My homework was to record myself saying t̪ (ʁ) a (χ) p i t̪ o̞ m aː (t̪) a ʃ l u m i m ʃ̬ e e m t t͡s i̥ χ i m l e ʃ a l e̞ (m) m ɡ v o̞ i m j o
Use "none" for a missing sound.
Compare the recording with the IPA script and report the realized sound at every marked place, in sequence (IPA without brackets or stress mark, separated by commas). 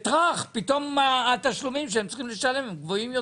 ʁ, χ, t̪, m